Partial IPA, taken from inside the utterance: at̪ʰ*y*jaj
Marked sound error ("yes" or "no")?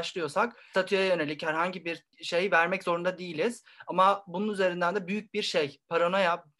no